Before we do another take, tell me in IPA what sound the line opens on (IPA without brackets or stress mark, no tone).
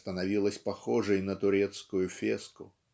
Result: t̪